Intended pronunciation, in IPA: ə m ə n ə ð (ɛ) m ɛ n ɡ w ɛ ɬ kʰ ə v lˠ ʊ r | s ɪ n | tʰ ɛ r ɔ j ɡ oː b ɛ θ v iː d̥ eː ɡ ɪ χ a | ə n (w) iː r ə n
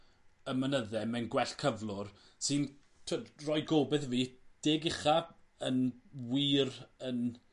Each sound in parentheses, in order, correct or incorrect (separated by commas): correct, correct